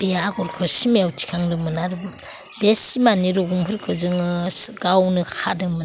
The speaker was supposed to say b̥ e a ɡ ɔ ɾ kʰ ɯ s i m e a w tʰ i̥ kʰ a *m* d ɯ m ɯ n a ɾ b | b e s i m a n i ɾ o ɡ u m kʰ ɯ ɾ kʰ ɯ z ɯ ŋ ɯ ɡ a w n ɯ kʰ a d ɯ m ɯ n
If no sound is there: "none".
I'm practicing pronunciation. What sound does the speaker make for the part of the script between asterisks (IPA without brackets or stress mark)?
ŋ